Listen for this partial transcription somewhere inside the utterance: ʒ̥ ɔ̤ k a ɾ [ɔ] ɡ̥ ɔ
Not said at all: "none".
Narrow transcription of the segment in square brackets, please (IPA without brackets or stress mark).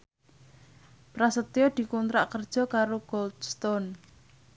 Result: o